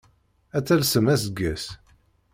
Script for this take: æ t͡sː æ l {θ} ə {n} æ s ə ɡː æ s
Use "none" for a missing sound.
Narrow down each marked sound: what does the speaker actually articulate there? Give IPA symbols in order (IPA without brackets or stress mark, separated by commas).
s, m